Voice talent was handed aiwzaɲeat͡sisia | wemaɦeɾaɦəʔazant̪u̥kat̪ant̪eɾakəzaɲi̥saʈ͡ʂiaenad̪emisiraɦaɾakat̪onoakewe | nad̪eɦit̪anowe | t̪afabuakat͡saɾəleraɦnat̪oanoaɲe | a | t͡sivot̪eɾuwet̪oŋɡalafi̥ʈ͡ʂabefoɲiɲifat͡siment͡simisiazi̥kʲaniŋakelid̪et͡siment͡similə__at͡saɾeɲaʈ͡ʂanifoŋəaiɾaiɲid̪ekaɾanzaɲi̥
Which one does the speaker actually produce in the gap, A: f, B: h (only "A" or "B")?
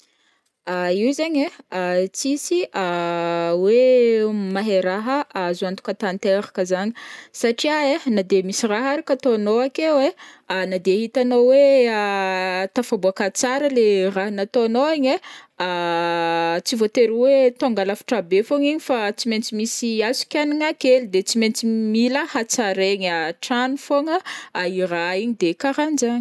B